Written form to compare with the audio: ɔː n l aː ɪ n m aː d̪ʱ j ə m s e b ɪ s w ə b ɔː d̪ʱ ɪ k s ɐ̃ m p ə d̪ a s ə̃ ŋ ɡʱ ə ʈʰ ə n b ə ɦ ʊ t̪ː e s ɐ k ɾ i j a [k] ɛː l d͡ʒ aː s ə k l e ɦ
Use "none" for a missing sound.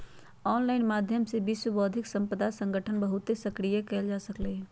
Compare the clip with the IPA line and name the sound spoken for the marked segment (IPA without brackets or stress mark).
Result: k